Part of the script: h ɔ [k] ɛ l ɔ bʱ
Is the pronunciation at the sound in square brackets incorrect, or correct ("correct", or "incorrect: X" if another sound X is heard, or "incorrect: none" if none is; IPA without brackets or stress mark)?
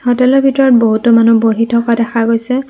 incorrect: t